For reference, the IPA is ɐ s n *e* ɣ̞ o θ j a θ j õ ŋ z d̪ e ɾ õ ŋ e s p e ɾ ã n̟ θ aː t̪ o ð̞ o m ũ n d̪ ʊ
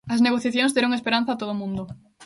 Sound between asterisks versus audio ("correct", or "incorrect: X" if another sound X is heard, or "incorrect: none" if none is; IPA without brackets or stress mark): correct